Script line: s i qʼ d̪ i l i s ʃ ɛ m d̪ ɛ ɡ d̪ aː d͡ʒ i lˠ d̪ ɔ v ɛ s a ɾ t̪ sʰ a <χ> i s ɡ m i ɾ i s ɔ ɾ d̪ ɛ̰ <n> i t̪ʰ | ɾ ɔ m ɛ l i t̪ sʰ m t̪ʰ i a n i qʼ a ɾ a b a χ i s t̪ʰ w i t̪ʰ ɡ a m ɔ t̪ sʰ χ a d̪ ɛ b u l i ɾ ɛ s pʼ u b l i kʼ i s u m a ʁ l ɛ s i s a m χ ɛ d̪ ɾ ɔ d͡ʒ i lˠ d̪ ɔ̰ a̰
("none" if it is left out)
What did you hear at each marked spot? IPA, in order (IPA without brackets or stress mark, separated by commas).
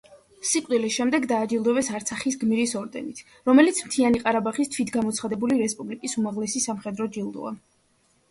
χ, n